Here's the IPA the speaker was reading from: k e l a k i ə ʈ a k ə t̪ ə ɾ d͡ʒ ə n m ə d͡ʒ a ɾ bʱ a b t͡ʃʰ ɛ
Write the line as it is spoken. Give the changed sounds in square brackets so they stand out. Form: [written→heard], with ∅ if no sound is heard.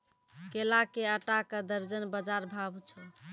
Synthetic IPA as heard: k e l a k [i→e] ə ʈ a k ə [t̪→d̪] ə ɾ d͡ʒ ə n [m→b] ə d͡ʒ a ɾ bʱ a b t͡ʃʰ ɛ